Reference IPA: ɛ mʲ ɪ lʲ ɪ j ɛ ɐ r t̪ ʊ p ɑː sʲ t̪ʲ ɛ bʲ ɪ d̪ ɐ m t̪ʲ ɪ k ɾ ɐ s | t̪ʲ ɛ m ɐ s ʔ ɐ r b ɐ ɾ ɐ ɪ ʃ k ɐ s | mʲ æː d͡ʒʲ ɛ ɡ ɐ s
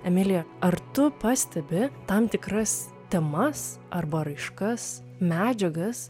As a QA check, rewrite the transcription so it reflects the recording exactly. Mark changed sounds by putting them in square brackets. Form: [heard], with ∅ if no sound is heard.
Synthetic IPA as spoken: ɛ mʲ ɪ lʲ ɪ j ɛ ɐ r t̪ ʊ p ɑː sʲ t̪ʲ ɛ bʲ ɪ [t̪] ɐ m t̪ʲ ɪ k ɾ ɐ s | t̪ʲ ɛ m ɐ s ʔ ɐ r b ɐ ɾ ɐ ɪ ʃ k ɐ s | mʲ æː d͡ʒʲ ɛ ɡ ɐ s